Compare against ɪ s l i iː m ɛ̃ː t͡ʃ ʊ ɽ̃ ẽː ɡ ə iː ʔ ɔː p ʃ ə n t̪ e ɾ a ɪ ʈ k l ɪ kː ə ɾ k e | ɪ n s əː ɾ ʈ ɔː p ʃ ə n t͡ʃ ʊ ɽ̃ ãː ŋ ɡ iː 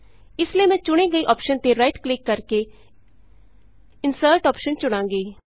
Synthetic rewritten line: ɪ s l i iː m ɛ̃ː t͡ʃ ʊ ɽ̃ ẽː ɡ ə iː ʔ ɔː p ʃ ə n t̪ e ɾ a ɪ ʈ k l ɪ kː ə ɾ k e | ɪ n s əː ɾ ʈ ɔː p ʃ ə n t͡ʃ ʊ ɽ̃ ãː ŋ ɡ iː